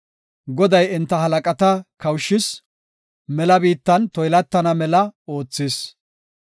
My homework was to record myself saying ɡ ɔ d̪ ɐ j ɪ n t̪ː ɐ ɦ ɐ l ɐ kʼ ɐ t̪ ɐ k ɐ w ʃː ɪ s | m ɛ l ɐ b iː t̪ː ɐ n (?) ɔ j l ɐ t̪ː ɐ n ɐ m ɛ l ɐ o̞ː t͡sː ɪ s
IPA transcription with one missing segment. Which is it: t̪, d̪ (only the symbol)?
t̪